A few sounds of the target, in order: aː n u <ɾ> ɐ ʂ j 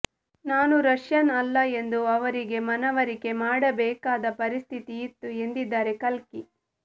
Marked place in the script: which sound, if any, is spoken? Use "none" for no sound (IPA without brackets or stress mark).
ɾ